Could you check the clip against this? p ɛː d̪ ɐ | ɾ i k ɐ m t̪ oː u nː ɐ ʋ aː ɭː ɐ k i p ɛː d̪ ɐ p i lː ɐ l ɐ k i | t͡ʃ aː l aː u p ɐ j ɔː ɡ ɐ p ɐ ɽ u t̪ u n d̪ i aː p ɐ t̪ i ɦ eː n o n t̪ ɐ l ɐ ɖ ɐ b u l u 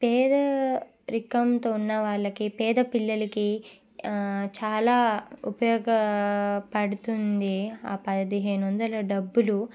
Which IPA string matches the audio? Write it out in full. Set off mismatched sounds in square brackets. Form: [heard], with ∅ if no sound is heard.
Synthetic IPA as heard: p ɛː d̪ ɐ | ɾ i k ɐ m t̪ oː u nː ɐ ʋ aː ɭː ɐ k i p ɛː d̪ ɐ p i lː ɐ l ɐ k i | t͡ʃ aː l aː u p ɐ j ɔː ɡ ɐ p ɐ ɽ u t̪ u n d̪ i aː p ɐ [d̪] i ɦ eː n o n [d̪] ɐ l ɐ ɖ ɐ [bː] u l u